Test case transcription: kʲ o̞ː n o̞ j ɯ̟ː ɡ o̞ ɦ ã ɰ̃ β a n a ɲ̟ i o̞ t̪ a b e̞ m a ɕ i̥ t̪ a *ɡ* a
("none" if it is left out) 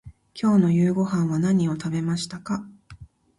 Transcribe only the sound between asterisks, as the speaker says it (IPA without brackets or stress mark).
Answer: k